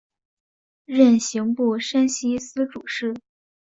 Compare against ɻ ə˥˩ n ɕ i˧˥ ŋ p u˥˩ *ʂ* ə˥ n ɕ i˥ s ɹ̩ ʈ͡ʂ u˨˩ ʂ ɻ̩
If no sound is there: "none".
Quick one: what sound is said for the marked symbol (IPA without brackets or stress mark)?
ʂ